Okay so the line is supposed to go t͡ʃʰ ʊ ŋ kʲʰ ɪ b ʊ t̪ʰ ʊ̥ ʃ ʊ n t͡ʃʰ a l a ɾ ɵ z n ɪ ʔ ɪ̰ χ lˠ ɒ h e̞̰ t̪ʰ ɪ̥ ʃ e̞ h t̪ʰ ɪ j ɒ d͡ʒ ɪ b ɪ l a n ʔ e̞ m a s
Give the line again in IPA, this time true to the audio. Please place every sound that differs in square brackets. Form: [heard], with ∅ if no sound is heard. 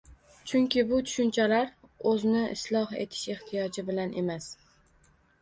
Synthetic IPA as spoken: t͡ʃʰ ʊ ŋ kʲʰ ɪ b ʊ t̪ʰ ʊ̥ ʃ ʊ n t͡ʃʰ a l a ɾ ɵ z n ɪ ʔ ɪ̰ [s] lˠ ɒ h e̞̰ t̪ʰ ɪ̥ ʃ e̞ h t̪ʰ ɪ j ɒ d͡ʒ ɪ b ɪ l a n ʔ e̞ m a s